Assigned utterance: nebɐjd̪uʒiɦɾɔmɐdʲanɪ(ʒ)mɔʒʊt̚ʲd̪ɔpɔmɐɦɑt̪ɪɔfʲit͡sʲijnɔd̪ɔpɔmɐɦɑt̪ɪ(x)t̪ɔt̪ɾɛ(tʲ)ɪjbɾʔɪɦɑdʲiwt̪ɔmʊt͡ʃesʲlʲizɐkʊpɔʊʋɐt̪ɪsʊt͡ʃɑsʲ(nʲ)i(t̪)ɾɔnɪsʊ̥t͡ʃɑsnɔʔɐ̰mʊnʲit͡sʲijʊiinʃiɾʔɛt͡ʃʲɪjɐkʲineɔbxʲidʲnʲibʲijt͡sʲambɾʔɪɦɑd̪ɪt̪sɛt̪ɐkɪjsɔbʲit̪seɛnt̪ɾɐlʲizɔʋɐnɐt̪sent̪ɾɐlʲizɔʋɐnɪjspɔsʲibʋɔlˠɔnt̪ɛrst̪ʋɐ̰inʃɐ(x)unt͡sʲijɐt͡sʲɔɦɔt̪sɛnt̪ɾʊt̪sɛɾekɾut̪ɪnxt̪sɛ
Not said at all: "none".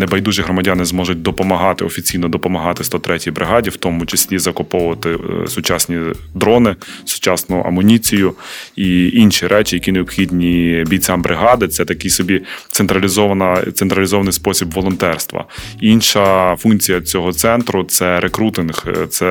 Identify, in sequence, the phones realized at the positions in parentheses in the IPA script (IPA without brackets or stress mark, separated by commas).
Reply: z, s, tʲ, nʲ, d̪, f